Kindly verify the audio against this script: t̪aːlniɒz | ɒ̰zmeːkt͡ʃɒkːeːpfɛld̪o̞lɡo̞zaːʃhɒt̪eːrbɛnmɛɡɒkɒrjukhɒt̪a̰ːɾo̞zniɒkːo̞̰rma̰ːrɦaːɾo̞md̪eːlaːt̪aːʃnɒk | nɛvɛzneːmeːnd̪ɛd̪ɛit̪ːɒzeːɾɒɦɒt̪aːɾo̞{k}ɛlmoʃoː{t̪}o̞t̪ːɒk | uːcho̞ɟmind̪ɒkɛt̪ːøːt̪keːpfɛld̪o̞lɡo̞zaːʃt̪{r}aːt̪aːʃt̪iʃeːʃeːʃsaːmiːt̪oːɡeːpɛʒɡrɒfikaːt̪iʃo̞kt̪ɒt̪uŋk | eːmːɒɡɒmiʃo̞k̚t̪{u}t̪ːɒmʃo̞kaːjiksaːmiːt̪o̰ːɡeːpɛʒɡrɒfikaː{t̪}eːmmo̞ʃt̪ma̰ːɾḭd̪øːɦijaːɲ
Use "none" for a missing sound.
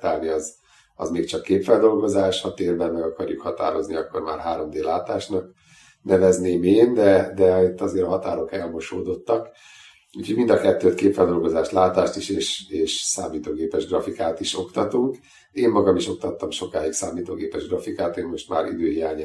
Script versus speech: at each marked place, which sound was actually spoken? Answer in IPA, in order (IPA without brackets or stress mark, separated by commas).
k, d̪, l, ɒ, t̪